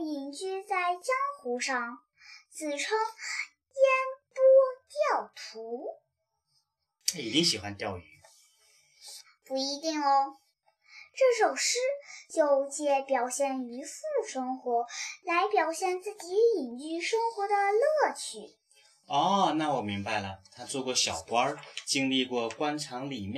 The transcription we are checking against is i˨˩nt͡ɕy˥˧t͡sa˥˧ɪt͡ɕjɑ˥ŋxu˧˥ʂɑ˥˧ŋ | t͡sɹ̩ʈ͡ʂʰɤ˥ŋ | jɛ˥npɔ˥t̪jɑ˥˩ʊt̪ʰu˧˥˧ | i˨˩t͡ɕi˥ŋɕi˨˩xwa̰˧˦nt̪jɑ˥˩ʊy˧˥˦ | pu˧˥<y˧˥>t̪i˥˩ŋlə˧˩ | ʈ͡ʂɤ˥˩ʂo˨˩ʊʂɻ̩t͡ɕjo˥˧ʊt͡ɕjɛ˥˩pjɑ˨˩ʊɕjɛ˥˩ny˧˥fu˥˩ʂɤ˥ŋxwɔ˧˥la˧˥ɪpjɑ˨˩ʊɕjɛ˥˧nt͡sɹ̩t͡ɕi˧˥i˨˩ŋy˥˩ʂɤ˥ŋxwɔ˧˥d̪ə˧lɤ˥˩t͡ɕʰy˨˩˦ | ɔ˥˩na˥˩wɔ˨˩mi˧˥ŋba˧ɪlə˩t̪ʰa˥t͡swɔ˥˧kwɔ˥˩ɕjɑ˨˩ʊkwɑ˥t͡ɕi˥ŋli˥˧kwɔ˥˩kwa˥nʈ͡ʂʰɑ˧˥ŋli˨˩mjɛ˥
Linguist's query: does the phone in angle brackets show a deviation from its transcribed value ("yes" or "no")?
yes